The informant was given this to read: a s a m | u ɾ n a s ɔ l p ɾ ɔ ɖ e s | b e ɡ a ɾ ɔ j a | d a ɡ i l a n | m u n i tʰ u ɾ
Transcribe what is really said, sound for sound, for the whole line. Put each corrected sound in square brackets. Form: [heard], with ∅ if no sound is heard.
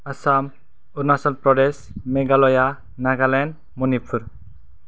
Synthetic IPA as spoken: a s a m | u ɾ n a s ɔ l p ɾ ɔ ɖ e s | [m] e ɡ a [l] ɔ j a | [n] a ɡ [a] l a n | m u n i [pʰ] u ɾ